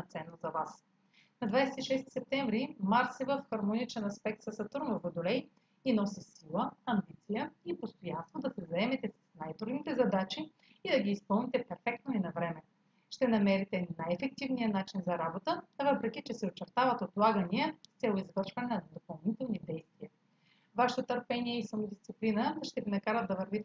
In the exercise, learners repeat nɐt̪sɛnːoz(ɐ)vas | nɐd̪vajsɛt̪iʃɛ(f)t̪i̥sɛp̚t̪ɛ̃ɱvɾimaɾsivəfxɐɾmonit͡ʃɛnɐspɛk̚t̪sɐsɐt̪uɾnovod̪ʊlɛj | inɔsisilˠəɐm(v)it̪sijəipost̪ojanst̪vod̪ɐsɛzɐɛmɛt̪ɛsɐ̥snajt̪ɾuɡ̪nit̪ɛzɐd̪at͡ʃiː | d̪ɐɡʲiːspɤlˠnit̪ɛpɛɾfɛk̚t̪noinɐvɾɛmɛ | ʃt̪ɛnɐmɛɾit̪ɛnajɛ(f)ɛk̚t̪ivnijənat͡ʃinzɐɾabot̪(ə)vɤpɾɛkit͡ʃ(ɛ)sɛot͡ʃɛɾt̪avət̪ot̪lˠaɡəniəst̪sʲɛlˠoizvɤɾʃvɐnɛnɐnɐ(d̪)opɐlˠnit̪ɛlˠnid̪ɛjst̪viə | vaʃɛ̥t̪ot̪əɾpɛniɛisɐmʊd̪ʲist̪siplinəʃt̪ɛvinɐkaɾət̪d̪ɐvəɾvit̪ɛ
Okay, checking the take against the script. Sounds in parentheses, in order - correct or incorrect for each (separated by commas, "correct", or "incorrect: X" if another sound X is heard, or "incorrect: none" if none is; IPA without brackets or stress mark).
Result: correct, incorrect: s, incorrect: b, correct, correct, correct, correct